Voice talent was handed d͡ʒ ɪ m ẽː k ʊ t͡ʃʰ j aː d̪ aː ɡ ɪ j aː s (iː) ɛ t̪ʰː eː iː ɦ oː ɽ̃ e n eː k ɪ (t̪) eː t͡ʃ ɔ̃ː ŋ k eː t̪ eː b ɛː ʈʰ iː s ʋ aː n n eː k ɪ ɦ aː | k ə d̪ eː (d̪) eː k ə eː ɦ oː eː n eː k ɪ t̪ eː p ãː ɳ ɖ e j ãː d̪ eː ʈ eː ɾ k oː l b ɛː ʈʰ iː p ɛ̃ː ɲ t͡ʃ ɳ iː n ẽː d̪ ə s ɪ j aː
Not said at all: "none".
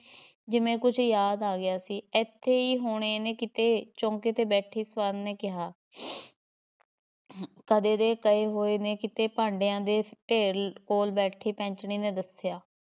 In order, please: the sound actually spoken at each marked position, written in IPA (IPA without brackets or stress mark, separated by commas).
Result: iː, t̪, d̪